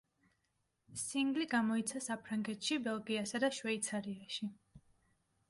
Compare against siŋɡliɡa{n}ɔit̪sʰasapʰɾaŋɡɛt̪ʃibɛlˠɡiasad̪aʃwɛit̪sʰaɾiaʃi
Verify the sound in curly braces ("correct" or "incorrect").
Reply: incorrect